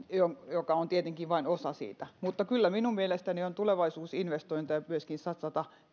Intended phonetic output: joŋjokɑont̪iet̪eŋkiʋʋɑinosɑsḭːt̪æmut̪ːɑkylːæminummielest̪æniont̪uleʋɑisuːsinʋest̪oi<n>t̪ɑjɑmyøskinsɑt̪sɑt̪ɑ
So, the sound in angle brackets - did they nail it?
yes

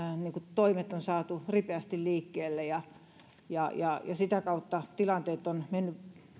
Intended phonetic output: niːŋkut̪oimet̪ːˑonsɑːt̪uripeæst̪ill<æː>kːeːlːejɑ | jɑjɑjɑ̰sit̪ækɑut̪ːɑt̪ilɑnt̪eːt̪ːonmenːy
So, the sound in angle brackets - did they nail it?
no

